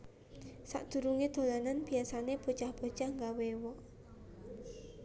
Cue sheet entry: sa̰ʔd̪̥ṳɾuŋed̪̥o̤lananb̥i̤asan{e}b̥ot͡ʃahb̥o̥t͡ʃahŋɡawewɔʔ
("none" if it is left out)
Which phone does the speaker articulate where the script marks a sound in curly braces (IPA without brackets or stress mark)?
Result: e